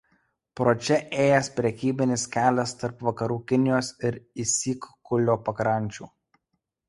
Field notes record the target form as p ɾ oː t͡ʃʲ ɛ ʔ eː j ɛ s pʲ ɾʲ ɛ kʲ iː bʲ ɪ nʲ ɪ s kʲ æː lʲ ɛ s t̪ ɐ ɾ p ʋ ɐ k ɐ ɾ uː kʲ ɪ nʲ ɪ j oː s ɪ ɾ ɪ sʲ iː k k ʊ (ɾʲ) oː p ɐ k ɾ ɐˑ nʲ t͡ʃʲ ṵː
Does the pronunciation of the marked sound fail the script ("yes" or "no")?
yes